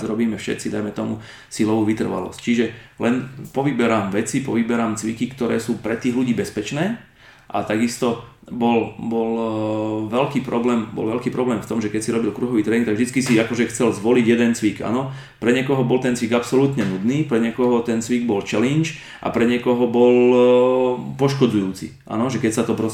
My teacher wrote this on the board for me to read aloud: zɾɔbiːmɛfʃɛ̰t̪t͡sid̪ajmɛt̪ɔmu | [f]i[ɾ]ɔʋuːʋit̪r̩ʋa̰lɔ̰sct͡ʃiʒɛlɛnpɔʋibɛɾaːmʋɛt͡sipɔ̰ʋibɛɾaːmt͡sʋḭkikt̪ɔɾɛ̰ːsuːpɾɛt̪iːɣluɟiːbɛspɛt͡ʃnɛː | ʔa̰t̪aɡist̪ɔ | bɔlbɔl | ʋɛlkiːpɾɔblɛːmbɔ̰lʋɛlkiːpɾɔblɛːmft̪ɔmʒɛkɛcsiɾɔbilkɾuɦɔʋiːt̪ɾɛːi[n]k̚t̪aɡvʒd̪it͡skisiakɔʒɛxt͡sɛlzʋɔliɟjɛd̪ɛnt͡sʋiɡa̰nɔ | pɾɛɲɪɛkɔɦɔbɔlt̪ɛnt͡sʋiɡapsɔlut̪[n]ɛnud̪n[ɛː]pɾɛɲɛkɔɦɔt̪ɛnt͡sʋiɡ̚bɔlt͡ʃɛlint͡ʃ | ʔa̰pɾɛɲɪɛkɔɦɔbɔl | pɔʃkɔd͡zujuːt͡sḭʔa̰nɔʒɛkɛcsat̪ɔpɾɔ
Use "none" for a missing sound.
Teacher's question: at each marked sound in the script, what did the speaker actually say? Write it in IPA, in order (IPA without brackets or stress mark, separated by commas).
s, l, ŋ, ɲ, iː